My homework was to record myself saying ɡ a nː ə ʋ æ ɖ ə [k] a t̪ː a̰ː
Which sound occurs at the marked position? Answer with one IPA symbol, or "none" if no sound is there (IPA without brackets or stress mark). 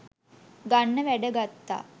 ɡ